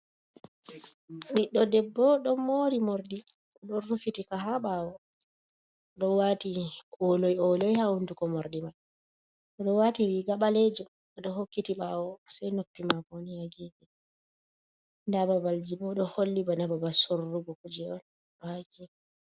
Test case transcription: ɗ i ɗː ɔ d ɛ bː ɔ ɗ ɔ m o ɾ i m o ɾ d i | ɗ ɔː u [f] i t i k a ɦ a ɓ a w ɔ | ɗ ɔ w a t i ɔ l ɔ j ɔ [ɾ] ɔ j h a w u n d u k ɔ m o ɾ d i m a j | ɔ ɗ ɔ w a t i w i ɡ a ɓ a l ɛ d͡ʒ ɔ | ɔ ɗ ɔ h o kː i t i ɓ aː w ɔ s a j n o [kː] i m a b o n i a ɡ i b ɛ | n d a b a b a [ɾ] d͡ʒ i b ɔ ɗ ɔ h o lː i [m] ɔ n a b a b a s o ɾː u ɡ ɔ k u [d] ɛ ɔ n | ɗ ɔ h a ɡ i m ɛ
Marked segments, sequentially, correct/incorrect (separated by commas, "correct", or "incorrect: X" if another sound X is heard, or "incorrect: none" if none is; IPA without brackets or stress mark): correct, incorrect: l, incorrect: pː, incorrect: l, incorrect: b, incorrect: d͡ʒ